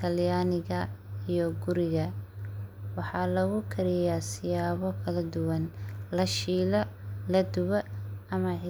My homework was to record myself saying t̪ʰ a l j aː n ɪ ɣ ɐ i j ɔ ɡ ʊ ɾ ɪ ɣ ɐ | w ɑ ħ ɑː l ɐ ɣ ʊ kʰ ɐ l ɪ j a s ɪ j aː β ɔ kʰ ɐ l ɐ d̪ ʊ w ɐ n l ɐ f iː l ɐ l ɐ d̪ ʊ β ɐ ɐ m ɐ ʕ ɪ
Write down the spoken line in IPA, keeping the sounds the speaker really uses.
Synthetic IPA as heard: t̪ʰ ɐ l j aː n ɪ ɣ ɐ i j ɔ ɡ ʊ ɾ ɪ ɣ ɐ | w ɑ ħ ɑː l ɐ ɣ ʊ kʰ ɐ ɾ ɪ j a s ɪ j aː β ɔ kʰ ɐ l ɐ d̪ ʊ w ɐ n l ɐ ʃ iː l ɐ l ɐ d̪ ʊ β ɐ ɐ m ɐ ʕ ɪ